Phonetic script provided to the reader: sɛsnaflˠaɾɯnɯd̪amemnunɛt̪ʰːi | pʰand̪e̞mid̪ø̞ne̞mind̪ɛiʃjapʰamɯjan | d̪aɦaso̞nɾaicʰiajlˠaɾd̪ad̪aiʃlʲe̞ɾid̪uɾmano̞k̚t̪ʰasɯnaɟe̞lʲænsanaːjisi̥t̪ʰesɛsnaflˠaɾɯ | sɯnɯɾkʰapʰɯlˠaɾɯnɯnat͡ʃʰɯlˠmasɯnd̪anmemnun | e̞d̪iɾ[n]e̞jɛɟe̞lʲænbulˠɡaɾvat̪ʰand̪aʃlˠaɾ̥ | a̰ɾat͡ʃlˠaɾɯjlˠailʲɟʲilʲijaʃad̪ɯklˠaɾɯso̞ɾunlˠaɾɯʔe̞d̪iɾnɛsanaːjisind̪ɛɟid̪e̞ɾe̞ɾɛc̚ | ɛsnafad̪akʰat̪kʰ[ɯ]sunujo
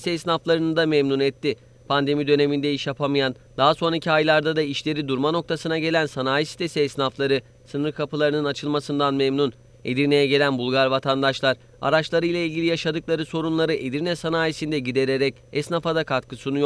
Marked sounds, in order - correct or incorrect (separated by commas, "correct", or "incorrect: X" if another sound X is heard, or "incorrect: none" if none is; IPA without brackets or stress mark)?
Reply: correct, correct